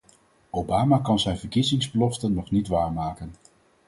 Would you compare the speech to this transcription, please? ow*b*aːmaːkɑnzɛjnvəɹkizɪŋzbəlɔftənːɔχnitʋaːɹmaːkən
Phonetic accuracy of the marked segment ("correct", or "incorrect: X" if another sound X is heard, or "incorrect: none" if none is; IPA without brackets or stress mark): correct